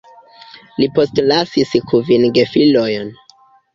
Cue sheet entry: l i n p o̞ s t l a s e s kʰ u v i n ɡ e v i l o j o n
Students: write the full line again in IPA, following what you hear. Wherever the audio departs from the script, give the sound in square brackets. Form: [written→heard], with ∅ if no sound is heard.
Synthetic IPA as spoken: l i [n→∅] p o̞ s t l a s [e→i] s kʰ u v i n ɡ e [v→f] i l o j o n